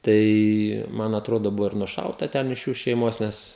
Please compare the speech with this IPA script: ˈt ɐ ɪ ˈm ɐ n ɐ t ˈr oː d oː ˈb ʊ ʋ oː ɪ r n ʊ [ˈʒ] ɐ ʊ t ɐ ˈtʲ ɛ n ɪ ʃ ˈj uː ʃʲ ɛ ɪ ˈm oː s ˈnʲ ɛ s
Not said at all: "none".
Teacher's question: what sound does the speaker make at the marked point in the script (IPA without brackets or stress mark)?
ʃ